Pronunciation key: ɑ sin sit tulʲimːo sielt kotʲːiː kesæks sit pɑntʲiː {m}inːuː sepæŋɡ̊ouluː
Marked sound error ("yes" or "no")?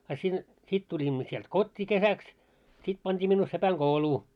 no